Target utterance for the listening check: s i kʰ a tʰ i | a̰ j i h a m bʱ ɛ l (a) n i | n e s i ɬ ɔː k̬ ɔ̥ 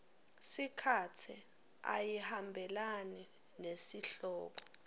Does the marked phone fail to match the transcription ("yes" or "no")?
no